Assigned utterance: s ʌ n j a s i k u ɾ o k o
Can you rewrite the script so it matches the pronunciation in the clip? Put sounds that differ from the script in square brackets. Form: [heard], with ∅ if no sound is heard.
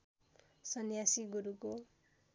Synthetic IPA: s ʌ n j a s i [ɡ] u ɾ [u] k o